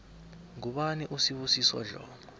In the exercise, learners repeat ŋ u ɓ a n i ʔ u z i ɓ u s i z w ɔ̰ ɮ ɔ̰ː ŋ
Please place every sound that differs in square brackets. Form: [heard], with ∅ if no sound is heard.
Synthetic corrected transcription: ŋ u ɓ a n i ʔ u [s] i ɓ u s i [s] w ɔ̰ ɮ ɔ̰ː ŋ